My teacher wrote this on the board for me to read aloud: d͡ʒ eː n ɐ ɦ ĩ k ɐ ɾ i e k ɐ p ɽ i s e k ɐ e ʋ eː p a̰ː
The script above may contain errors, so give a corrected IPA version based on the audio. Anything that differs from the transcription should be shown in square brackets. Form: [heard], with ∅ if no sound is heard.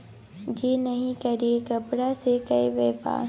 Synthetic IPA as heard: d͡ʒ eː n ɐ ɦ ĩ k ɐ ɾ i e k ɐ p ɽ [a] s e k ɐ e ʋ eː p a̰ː